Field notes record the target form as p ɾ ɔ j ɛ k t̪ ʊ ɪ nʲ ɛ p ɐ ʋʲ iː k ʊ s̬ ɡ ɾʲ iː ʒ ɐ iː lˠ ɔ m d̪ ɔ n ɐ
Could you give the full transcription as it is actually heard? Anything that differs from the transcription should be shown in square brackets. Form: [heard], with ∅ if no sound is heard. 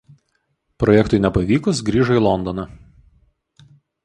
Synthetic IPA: p ɾ ɔ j ɛ k t̪ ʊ ɪ nʲ ɛ p ɐ ʋʲ iː k ʊ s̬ ɡ ɾʲ iː ʒ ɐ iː lˠ ɔ [n] d̪ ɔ n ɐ